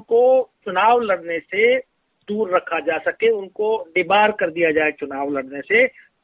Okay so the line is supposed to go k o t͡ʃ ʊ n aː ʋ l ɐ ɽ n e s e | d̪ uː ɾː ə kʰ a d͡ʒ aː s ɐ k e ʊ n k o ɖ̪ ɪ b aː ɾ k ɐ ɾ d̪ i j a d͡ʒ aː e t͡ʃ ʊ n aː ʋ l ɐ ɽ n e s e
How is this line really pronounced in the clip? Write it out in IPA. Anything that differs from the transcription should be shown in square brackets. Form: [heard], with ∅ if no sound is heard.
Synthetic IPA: k o t͡ʃ ʊ n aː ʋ l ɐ ɽ n e s e | d̪ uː ɾː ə kʰ a d͡ʒ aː s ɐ k e ʊ n k o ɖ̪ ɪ b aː ɾ k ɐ ɾ d̪ i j a d͡ʒ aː e t͡ʃ ʊ n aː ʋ l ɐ ɽ n e s e